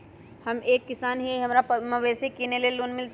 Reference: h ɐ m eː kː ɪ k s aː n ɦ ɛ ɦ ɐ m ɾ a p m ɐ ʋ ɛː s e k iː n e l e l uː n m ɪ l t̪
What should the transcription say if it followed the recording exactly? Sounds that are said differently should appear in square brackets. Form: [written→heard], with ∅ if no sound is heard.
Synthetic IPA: h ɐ m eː kː ɪ [k→∅] s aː n ɦ [ɛ→i] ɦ ɐ m ɾ a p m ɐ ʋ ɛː s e k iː n e l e l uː n m ɪ l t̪

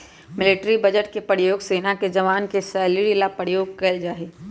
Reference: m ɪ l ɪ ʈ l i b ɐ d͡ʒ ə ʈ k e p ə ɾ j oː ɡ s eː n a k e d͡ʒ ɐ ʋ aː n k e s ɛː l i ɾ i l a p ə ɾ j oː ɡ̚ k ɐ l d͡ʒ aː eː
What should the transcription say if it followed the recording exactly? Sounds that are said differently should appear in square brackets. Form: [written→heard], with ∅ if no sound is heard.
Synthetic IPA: m ɪ l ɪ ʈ [l→ɾ] i b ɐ d͡ʒ ə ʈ k e p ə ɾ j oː ɡ s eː n a k e d͡ʒ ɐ ʋ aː n k e s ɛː l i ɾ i l a p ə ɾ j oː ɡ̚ k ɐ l d͡ʒ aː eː

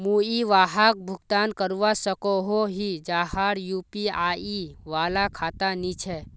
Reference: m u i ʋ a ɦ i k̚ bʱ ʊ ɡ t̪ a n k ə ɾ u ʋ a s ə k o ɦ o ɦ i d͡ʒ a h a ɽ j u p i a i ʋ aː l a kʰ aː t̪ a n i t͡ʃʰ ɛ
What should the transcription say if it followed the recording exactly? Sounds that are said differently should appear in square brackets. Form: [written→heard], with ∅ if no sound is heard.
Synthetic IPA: m u i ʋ a ɦ [i→a] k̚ bʱ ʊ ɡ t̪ a n k ə ɾ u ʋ a s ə k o ɦ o ɦ i d͡ʒ a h a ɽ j u p i a i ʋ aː l a kʰ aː t̪ a n i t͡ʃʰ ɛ

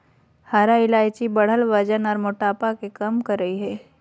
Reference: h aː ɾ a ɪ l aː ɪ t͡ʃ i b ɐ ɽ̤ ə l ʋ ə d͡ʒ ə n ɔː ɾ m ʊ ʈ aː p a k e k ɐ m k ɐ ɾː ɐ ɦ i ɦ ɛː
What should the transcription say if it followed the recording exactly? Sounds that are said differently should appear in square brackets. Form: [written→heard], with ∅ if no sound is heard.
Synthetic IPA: h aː ɾ a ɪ l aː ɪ t͡ʃ i b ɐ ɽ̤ ə l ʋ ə d͡ʒ ə n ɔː ɾ m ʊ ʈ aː p a k e k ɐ m k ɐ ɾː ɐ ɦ i ɦ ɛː

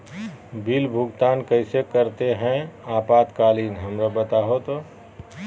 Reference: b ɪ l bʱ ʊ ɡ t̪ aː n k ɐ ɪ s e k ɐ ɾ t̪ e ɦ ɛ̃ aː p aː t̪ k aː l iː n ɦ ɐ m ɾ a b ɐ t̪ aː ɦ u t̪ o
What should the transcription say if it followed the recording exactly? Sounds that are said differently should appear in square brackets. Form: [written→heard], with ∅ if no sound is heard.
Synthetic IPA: b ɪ l bʱ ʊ ɡ t̪ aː n k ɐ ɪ s e k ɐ ɾ t̪ e ɦ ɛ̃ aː p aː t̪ k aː l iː n ɦ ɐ m ɾ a b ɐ t̪ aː ɦ [u→o] t̪ o

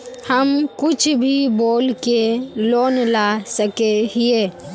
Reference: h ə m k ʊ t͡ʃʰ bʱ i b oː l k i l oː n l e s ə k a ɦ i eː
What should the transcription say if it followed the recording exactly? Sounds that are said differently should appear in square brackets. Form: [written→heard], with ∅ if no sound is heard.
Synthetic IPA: h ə m k ʊ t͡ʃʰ bʱ i b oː l k [i→e] l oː n l [e→a] s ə k [a→e] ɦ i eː

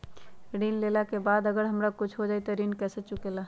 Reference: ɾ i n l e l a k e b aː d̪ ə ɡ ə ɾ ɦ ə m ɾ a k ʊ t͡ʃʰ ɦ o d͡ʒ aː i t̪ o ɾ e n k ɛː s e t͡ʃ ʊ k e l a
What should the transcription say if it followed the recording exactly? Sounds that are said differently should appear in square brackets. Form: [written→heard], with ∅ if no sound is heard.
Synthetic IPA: ɾ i n l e l a k e b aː d̪ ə ɡ ə ɾ ɦ ə m ɾ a k ʊ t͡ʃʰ ɦ o d͡ʒ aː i t̪ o ɾ [e→i] n k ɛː s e t͡ʃ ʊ k e l a

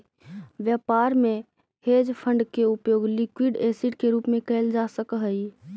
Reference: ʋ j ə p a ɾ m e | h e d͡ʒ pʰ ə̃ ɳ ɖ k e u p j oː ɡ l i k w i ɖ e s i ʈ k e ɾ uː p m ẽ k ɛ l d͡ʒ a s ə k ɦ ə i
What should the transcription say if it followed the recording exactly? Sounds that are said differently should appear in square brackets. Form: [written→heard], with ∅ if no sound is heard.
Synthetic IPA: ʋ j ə p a ɾ m e | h e d͡ʒ pʰ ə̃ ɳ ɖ k e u p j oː ɡ l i k w i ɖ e s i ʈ k e ɾ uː p m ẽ k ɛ l d͡ʒ a s ə k ɦ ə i

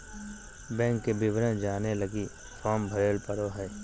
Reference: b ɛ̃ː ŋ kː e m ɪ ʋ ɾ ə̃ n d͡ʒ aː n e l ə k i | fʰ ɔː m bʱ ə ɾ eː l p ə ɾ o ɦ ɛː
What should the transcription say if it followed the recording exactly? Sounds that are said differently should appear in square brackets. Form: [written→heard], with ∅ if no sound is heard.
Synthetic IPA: b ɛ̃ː ŋ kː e [m→b] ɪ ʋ ɾ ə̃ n d͡ʒ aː n e l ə [k→ɡ] i | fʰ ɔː m bʱ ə ɾ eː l p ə ɾ o ɦ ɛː

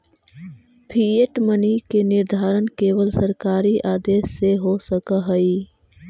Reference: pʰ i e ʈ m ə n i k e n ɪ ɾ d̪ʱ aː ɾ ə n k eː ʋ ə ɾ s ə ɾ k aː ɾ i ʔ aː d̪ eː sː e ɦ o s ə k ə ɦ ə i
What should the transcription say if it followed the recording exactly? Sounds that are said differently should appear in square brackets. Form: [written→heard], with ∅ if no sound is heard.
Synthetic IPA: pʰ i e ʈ m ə n i k e n ɪ ɾ d̪ʱ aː ɾ ə n k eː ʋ ə [ɾ→l] s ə ɾ k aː ɾ i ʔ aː d̪ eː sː e ɦ o s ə k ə ɦ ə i

